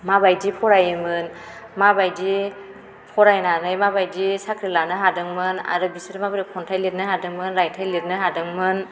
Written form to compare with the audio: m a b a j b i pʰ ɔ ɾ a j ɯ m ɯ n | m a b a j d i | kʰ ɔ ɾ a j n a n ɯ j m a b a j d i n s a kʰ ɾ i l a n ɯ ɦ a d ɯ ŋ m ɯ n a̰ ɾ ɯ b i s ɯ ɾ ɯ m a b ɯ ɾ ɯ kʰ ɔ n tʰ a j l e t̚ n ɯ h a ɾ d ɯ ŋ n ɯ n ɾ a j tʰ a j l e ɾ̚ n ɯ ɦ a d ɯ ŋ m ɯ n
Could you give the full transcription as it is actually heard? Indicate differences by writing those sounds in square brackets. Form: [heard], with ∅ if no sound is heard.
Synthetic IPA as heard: m a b a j [d] i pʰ ɔ ɾ a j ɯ m ɯ n | m a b a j d i | [pʰ] ɔ ɾ a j n a n ɯ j m a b a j d i [∅] s a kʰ ɾ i l a n ɯ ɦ a d ɯ ŋ m ɯ n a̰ ɾ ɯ b i s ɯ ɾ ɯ m a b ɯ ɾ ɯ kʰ ɔ n tʰ a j l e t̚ n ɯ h a [∅] d ɯ ŋ [m] ɯ n ɾ a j tʰ a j l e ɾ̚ n ɯ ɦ a d ɯ ŋ m ɯ n